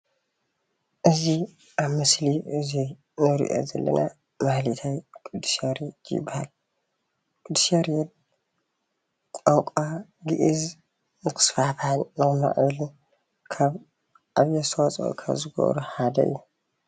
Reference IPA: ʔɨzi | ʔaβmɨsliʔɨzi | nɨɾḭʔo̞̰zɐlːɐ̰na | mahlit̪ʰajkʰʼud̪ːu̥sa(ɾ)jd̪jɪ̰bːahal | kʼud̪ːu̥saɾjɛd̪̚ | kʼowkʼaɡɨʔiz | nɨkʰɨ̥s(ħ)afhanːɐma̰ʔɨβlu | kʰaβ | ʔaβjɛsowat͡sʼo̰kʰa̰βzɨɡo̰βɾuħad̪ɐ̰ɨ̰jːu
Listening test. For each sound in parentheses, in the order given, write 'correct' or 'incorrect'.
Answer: correct, incorrect

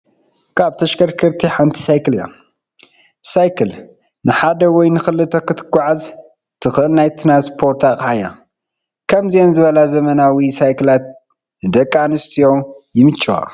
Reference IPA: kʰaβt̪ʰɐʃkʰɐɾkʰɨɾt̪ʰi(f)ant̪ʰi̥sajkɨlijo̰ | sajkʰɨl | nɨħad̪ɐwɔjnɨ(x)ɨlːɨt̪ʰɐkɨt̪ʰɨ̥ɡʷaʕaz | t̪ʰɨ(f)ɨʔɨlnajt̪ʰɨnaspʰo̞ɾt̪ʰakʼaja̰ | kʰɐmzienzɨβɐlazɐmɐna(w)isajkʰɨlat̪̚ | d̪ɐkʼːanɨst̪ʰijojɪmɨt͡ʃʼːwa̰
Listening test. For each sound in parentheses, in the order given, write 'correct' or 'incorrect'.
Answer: incorrect, correct, incorrect, correct

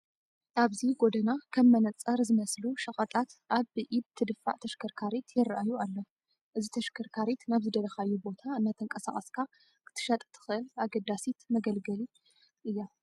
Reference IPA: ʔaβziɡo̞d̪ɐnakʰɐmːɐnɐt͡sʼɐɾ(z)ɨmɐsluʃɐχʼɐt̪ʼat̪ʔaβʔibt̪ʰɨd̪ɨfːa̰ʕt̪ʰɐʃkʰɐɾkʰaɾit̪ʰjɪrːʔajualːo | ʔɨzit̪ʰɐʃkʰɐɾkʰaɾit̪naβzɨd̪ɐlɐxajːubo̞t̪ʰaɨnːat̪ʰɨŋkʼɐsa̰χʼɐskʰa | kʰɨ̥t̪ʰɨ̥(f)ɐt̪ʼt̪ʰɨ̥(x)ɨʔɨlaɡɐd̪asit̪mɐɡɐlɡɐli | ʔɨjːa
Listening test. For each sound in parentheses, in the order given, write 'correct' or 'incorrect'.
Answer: correct, incorrect, correct

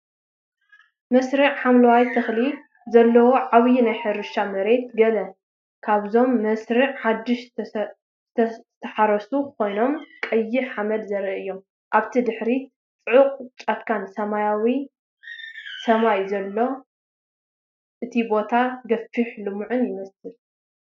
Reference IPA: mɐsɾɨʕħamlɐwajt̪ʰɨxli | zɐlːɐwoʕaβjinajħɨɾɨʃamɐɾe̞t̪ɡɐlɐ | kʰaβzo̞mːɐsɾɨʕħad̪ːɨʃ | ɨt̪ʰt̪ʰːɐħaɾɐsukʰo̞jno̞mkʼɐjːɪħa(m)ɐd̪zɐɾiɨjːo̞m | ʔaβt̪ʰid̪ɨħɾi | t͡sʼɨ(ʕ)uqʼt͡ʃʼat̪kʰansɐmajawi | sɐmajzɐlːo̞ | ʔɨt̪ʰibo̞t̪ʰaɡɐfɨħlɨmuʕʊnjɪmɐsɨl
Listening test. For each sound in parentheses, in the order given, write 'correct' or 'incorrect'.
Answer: correct, correct

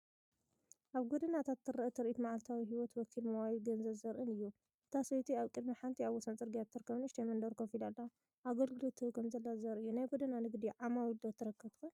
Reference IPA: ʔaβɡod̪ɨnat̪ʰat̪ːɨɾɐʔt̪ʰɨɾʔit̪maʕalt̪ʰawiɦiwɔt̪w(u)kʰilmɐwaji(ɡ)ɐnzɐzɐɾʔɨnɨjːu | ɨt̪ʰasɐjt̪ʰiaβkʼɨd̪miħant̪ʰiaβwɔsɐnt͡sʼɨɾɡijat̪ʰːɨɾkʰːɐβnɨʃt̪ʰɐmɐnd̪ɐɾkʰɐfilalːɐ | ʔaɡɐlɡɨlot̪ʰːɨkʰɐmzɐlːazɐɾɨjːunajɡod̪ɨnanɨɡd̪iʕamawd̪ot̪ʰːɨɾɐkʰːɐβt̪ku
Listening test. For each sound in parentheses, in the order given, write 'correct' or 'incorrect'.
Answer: incorrect, correct

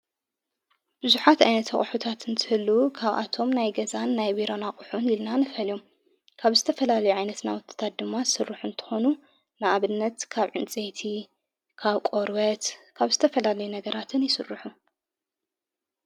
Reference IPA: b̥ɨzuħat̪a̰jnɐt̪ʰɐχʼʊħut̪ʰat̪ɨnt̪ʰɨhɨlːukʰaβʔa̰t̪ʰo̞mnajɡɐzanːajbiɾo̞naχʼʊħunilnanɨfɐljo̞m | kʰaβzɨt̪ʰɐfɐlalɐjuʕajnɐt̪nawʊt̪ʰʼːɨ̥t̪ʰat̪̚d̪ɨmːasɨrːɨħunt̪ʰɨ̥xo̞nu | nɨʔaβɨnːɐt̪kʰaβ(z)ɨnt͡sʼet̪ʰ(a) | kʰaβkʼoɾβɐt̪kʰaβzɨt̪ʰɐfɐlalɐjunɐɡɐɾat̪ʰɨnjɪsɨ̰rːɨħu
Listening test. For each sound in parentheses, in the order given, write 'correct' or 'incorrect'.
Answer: incorrect, incorrect

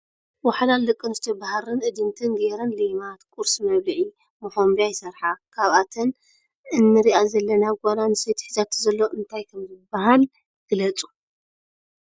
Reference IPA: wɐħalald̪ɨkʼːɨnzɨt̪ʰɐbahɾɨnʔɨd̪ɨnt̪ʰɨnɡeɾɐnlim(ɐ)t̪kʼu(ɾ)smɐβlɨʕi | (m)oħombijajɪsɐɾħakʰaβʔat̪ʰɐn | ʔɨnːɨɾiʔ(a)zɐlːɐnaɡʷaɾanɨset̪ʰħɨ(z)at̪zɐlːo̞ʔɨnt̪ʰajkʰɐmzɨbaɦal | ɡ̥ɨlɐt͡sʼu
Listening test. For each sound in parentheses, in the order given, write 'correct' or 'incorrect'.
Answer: incorrect, correct, correct, correct, correct

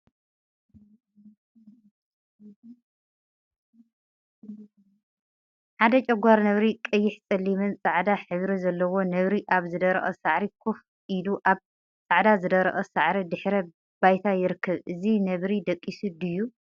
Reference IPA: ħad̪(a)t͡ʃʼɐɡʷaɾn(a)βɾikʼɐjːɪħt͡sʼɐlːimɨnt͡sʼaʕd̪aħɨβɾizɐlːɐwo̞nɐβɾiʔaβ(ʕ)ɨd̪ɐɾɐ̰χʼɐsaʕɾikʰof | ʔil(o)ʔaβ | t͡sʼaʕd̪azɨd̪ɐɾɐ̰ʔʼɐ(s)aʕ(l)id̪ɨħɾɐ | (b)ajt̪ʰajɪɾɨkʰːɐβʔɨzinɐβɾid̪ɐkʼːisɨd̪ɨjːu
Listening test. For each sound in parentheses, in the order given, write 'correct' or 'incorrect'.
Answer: incorrect, incorrect, incorrect, incorrect, correct, incorrect, correct

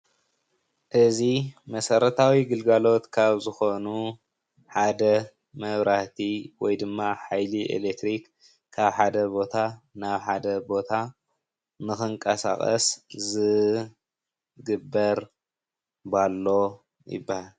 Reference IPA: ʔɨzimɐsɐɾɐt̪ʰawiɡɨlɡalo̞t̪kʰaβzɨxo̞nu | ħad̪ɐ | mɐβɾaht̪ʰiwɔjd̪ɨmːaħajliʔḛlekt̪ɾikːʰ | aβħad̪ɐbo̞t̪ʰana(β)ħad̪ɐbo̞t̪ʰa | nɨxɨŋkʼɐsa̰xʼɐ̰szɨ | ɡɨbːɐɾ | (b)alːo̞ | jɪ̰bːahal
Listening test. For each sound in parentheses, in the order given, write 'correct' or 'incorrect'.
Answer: correct, correct

